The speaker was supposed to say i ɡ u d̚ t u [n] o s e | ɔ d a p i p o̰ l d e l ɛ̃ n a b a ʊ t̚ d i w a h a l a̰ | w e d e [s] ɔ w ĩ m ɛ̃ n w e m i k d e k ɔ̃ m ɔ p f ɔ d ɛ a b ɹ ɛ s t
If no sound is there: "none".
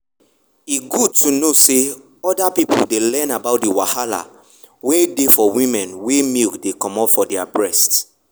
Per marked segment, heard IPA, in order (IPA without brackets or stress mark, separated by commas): n, f